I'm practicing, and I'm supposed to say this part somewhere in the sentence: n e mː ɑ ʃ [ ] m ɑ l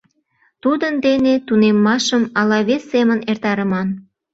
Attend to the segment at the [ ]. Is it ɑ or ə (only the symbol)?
ə